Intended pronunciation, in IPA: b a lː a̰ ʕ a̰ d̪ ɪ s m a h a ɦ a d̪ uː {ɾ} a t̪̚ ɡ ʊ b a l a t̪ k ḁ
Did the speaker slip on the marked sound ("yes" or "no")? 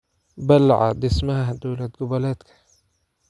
yes